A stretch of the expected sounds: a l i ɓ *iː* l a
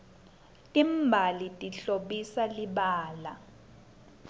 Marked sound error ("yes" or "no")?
yes